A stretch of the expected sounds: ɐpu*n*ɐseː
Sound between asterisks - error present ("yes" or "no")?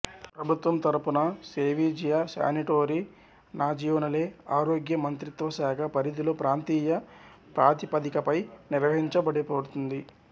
no